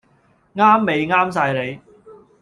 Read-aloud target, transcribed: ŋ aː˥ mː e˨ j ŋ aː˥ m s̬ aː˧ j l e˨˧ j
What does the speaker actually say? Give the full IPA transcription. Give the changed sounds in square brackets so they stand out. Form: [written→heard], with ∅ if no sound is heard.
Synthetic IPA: ŋ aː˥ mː e˨ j ŋ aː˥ m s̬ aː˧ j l e˨˧ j